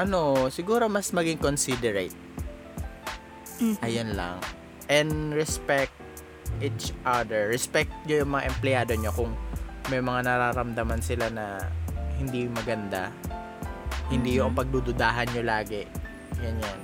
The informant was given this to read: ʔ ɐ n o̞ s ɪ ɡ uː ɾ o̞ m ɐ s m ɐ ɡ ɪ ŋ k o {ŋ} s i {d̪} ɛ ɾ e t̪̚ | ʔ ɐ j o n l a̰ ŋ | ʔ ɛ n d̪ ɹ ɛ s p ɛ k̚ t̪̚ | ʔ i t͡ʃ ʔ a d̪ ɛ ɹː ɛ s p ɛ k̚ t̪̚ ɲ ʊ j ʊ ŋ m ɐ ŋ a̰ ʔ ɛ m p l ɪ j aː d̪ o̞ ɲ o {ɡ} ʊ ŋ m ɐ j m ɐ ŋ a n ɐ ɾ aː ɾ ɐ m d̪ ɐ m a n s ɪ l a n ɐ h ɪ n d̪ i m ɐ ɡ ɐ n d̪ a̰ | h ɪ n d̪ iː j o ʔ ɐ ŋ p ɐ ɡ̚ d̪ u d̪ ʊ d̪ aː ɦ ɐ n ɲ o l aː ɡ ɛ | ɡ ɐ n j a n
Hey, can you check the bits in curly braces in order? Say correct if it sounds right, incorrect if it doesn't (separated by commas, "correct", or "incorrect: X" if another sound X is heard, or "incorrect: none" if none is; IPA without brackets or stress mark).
incorrect: n, correct, incorrect: k